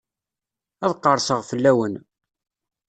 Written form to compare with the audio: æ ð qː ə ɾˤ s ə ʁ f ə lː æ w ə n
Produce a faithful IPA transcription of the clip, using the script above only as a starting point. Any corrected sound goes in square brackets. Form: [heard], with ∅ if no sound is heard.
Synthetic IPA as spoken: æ ð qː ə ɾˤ s ə ʁ f ə lː æ w ə n